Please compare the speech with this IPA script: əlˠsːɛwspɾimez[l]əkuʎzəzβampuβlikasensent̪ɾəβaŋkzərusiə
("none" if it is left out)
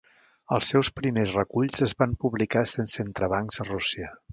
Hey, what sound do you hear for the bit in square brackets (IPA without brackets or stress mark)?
r